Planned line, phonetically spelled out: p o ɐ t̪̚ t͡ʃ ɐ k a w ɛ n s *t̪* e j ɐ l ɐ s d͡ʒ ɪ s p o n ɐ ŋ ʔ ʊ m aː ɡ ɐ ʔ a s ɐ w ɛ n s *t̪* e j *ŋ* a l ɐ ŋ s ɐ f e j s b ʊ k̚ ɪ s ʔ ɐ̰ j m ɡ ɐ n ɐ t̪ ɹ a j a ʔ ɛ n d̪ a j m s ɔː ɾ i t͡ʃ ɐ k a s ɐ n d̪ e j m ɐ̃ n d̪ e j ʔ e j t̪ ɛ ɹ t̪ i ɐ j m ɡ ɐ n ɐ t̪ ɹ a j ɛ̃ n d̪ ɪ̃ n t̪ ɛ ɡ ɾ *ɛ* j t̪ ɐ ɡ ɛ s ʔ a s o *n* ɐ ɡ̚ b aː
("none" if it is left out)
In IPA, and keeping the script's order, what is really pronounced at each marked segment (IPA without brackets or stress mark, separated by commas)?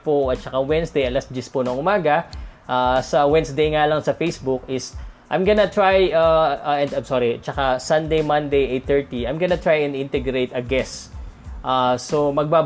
d̪, d̪, ŋ, e, m